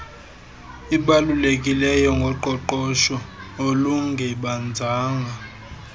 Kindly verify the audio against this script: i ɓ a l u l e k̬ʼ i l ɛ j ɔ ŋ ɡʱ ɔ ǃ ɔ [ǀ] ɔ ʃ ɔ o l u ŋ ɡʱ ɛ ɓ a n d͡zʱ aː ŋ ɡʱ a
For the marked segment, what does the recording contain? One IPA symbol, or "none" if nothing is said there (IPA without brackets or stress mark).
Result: ǃ